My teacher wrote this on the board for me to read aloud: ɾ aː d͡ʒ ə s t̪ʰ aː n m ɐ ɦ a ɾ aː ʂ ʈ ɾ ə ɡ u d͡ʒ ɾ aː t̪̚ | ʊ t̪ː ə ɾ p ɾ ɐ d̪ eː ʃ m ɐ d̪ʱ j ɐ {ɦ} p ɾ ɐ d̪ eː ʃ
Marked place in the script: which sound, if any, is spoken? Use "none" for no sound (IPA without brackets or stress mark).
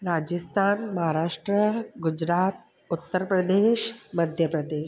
none